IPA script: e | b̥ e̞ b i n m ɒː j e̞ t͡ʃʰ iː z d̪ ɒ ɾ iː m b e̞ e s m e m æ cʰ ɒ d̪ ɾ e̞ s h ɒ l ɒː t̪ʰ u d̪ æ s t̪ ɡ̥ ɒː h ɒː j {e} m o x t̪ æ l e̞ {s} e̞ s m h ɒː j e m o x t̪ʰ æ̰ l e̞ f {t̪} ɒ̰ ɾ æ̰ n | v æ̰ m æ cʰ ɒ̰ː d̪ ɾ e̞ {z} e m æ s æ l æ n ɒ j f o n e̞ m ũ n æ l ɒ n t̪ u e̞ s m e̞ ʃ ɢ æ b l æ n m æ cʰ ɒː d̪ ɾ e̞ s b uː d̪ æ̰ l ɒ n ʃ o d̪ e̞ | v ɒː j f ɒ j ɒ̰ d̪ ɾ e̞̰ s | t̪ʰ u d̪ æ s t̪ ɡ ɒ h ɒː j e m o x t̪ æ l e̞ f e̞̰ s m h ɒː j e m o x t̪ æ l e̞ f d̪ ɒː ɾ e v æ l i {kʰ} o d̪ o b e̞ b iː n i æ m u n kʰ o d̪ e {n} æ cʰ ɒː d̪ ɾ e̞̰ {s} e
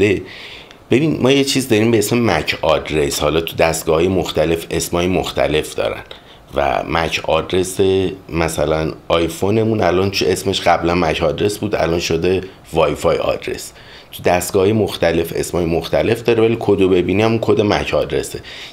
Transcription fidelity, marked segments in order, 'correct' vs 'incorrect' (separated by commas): correct, incorrect, incorrect, incorrect, correct, incorrect, correct